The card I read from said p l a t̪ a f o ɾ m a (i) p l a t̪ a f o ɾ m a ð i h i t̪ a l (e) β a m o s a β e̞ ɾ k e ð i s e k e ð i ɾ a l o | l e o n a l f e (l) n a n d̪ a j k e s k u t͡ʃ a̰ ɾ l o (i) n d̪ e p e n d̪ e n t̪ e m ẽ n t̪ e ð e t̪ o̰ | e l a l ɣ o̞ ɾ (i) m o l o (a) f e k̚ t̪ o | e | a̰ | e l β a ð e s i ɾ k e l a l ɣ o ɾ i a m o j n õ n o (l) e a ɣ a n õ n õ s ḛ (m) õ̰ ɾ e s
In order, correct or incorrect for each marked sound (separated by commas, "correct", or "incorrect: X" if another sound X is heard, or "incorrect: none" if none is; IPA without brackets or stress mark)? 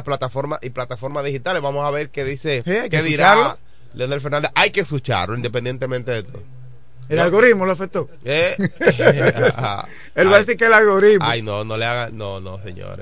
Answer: correct, correct, incorrect: ɾ, correct, correct, correct, correct, incorrect: ɲ